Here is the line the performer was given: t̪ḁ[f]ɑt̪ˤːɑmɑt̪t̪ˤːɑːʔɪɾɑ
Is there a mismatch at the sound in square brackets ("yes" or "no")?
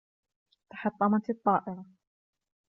yes